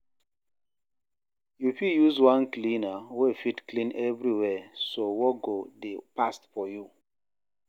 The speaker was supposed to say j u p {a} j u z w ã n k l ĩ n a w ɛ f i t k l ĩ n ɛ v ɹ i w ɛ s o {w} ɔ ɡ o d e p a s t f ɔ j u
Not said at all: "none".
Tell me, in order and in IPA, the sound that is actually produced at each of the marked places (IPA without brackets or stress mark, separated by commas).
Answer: i, w